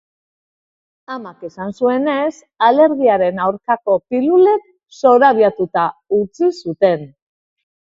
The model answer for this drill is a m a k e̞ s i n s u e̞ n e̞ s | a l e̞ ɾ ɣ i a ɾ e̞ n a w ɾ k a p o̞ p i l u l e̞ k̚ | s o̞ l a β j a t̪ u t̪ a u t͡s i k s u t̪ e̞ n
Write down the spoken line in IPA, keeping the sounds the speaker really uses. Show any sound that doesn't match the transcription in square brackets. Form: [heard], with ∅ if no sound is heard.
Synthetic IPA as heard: a m a k e̞ s [a] n s u e̞ n e̞ s | a l e̞ ɾ ɣ i a ɾ e̞ n a w ɾ k a [k] o̞ p i l u l e̞ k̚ | s o̞ [ɾ] a β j a t̪ u t̪ a u t͡s i [∅] s u t̪ e̞ n